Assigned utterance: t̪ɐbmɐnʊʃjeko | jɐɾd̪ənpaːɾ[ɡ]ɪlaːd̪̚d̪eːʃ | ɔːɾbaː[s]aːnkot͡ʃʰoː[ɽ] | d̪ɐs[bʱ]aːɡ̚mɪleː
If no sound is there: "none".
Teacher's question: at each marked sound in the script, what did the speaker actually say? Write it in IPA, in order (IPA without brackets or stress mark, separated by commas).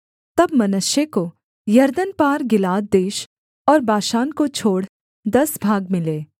ɡ, ʃ, ɽ, bʱ